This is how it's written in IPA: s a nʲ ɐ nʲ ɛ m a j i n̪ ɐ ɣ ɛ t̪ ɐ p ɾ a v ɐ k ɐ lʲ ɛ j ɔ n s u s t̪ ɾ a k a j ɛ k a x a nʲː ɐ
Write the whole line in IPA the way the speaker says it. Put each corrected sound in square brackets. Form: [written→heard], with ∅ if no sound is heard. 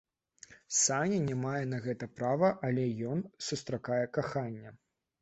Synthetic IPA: s a nʲ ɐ nʲ ɛ m a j [i→ɛ] n̪ ɐ ɣ ɛ t̪ ɐ p ɾ a v ɐ [k→ʔ] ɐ lʲ ɛ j ɔ n s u s t̪ ɾ a k a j ɛ k a x a nʲː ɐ